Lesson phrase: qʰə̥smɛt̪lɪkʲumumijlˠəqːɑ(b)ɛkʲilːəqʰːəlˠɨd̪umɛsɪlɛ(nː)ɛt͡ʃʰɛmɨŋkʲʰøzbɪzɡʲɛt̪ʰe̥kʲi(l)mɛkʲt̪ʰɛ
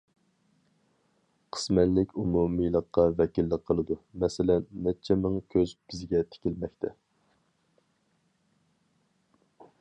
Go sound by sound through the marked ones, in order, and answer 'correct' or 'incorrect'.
incorrect: v, correct, correct

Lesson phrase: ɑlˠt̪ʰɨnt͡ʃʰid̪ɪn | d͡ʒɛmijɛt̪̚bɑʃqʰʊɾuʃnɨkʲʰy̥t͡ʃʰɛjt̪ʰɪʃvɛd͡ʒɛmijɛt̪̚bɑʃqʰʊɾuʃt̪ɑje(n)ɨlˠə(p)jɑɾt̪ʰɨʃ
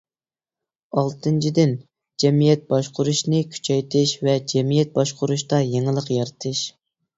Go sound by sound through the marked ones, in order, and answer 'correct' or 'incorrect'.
incorrect: ŋ, incorrect: q

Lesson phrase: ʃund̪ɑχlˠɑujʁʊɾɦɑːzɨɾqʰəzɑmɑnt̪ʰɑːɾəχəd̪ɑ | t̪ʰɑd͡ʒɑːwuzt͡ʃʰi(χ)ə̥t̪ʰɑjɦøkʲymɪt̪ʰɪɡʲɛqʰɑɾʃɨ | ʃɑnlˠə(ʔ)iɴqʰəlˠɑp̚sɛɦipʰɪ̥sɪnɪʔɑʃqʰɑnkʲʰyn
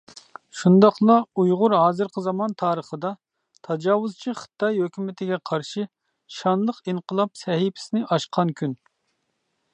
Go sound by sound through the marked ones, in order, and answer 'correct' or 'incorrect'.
correct, incorrect: q

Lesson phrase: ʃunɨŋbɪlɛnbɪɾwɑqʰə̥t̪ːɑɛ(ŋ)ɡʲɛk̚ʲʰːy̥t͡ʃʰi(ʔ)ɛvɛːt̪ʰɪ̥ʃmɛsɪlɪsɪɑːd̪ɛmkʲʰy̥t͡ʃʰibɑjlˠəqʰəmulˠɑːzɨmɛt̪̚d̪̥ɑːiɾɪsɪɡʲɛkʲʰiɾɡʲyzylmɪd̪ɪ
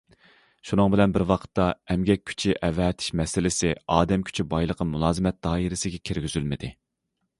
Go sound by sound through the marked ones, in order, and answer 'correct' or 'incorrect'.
incorrect: m, correct

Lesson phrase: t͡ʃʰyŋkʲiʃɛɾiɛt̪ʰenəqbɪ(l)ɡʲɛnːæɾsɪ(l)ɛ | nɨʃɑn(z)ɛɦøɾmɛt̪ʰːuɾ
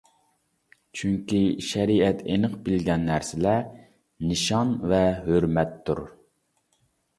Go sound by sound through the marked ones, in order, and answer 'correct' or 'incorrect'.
correct, correct, incorrect: v

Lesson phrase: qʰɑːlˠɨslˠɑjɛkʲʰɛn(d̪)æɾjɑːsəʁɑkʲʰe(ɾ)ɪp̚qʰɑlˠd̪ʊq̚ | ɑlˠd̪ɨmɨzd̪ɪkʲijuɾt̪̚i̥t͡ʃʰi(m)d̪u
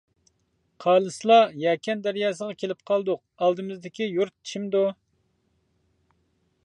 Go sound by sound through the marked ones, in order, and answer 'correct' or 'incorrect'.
correct, incorrect: l, correct

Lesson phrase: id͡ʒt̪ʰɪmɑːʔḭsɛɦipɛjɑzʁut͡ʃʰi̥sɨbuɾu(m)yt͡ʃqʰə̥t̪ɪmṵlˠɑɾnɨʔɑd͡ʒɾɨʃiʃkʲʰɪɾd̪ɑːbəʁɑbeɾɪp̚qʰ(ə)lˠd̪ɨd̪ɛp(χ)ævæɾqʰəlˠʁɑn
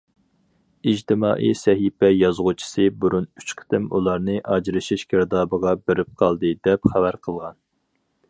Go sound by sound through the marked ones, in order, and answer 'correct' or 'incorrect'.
incorrect: n, incorrect: ɑ, correct

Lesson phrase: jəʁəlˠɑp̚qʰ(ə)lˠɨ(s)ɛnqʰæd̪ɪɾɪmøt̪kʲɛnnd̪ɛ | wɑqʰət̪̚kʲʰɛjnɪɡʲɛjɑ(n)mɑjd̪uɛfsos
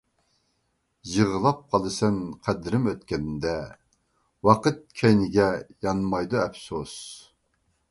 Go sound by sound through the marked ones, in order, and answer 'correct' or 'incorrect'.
incorrect: ɑ, correct, correct

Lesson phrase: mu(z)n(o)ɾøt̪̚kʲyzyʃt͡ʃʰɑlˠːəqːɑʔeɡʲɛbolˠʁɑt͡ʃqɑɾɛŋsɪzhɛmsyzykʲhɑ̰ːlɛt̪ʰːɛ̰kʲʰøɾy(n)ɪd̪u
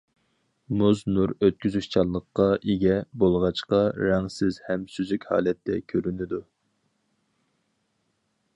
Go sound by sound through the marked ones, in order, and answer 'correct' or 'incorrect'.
correct, incorrect: u, correct

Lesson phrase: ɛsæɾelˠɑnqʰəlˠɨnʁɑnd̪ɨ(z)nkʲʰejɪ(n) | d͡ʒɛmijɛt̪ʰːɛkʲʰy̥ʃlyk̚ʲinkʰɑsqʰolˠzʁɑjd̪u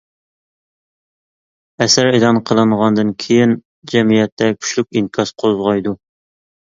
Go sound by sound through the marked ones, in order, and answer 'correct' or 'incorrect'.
incorrect: none, correct

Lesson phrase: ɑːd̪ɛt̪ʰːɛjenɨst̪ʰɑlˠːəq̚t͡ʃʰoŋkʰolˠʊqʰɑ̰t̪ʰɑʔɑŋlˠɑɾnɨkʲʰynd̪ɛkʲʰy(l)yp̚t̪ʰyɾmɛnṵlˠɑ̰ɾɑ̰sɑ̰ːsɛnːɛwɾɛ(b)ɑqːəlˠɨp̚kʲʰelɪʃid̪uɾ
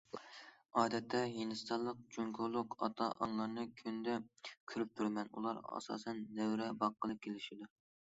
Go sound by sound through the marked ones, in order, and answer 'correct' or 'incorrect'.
incorrect: ɾ, correct

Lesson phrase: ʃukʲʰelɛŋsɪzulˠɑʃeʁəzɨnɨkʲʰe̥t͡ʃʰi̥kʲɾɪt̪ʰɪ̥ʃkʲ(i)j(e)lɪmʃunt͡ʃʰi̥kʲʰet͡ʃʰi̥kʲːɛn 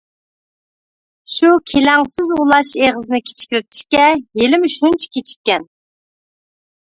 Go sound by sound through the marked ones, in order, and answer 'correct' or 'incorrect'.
incorrect: ɛ, correct

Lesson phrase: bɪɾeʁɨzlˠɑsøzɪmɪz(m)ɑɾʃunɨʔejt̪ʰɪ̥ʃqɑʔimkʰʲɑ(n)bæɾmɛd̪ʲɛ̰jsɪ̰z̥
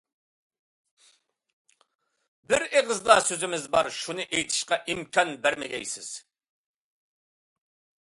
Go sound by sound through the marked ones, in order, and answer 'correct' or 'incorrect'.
incorrect: b, correct

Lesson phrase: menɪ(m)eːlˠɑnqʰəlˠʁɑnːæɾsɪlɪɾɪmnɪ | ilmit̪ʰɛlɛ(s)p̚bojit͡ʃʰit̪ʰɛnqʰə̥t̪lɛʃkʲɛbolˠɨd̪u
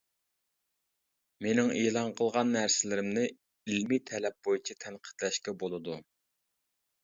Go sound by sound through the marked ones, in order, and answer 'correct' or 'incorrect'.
incorrect: ŋ, incorrect: none

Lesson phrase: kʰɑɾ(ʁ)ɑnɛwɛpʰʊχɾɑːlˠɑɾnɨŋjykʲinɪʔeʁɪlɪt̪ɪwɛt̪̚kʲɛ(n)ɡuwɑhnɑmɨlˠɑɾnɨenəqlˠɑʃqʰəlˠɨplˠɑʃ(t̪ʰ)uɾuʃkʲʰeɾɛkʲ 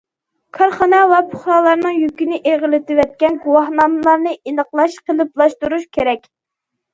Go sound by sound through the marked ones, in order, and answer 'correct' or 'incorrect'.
incorrect: χ, correct, incorrect: t̪

